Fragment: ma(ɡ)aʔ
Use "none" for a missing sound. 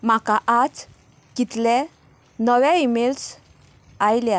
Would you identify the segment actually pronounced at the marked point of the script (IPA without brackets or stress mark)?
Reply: k